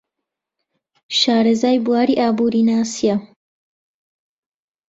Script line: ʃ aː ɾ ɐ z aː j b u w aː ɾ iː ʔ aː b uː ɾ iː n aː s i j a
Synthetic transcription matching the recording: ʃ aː ɾ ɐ z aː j b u w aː ɾ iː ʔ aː b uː ɾ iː n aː s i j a